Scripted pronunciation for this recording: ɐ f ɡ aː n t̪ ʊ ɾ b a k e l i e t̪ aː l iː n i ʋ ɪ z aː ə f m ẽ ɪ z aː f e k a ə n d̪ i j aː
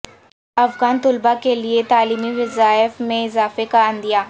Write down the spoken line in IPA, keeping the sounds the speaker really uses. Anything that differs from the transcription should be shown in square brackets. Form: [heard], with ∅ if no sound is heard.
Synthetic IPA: ɐ f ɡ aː n t̪ ʊ [l] b a k e l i e t̪ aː l iː [m] i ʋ ɪ z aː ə f m ẽ ɪ z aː f e k a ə n d̪ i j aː